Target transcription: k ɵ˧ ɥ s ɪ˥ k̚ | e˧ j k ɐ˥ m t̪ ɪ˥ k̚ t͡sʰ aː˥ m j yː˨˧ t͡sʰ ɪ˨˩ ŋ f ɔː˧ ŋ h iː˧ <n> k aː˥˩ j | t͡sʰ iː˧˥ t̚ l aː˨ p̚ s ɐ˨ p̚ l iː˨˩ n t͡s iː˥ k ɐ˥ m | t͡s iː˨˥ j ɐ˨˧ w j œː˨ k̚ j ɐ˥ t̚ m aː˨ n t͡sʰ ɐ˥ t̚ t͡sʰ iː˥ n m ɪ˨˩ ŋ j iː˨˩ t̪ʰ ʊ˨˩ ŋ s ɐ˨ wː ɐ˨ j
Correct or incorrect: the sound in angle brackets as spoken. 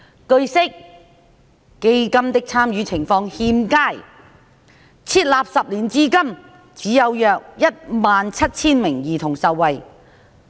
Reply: incorrect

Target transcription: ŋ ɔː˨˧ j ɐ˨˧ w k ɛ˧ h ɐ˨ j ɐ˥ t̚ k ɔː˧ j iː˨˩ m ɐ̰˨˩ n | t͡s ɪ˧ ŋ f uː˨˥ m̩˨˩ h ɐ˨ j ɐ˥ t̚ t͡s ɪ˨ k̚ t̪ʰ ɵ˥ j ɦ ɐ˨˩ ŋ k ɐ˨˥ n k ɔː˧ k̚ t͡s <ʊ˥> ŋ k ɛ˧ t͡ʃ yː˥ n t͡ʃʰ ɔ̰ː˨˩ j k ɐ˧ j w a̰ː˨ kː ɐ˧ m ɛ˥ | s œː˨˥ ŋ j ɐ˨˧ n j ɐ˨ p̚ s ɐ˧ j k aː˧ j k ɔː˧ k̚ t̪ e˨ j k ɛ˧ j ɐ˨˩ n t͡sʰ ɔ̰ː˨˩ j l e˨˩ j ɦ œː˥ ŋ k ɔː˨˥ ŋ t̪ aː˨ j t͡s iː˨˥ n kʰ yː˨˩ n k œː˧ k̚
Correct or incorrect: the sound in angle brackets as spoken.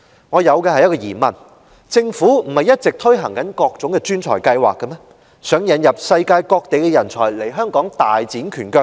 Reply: incorrect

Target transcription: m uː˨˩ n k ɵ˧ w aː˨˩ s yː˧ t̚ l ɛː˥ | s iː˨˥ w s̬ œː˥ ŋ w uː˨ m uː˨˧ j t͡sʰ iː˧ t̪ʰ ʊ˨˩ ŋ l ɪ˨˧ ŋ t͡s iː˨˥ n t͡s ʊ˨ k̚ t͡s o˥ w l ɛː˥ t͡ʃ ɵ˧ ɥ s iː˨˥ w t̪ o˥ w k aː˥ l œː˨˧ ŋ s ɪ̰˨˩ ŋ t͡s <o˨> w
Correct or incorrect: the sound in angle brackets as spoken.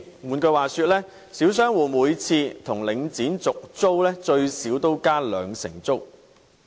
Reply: incorrect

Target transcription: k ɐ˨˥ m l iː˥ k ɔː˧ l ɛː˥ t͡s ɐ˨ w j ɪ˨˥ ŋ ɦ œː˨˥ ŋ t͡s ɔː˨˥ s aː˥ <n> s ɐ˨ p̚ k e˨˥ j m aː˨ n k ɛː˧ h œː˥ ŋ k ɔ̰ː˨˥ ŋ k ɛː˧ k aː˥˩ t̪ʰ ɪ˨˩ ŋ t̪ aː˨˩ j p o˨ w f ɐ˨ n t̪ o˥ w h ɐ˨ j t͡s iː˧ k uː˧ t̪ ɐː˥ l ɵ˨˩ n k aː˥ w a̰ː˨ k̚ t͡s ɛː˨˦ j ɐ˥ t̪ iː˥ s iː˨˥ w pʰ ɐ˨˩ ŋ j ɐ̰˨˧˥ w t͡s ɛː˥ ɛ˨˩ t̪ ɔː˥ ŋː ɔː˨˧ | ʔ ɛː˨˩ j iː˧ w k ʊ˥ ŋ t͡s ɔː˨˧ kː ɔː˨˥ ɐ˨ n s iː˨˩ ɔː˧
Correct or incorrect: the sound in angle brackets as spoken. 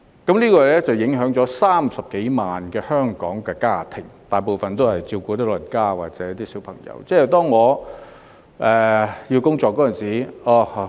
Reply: incorrect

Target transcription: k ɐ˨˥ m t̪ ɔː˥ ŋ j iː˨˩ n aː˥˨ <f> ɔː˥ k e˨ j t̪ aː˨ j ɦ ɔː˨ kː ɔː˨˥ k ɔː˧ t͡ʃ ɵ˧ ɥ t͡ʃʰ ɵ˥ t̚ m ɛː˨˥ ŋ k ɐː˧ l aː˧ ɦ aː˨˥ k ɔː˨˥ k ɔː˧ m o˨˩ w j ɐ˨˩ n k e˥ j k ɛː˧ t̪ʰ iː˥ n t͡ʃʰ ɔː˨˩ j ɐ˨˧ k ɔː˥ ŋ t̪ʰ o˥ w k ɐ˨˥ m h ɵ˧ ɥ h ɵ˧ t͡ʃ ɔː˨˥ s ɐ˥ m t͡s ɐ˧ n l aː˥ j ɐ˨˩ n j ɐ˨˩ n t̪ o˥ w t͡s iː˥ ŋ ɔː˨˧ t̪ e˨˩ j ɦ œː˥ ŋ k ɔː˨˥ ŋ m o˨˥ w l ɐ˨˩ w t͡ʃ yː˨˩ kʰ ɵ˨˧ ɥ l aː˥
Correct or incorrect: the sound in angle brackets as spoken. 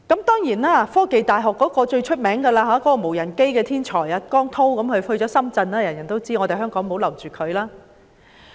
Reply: correct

